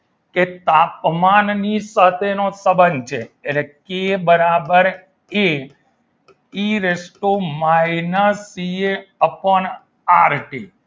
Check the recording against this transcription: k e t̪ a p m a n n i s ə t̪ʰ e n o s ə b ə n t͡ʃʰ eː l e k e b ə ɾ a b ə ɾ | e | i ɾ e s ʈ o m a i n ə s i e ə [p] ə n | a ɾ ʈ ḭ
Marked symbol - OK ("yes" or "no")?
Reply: yes